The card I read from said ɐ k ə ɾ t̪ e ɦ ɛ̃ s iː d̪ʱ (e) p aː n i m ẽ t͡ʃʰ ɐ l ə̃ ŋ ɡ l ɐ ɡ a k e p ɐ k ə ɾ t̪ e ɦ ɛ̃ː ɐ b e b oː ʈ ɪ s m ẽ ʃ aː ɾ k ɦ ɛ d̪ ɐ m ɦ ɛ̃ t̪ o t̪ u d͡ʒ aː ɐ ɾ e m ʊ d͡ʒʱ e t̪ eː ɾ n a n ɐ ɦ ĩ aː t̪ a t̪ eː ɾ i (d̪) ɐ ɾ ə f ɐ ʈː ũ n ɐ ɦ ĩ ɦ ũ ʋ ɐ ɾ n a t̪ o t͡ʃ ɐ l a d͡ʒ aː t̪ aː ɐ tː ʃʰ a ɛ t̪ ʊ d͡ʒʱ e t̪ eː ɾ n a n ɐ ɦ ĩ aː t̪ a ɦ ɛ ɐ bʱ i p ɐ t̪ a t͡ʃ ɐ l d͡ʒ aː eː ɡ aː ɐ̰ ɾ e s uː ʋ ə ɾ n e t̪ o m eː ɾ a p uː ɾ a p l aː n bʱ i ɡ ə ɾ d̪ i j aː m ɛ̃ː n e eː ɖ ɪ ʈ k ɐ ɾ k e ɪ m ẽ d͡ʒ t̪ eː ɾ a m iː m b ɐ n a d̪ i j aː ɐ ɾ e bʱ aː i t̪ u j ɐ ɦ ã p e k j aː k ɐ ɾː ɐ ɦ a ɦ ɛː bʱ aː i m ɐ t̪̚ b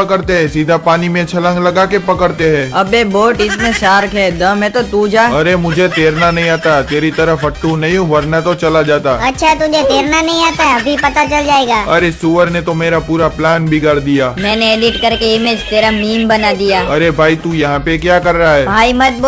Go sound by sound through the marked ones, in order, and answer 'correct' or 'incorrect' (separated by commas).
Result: incorrect, incorrect